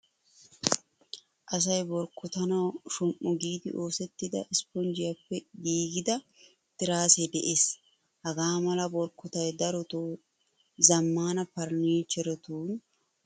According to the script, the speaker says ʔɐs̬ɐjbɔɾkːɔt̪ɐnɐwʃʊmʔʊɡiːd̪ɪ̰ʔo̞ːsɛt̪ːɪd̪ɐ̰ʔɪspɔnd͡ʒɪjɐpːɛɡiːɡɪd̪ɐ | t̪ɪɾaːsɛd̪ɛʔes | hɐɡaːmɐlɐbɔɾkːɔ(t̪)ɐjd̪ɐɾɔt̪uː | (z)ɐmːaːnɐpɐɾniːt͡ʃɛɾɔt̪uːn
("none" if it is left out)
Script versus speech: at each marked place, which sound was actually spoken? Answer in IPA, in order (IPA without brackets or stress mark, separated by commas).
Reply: t̪, z